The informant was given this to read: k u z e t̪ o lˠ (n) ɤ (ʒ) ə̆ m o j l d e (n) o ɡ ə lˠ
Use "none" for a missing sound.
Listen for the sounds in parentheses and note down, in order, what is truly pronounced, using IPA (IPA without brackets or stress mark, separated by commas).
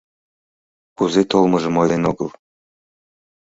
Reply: m, ʒ, n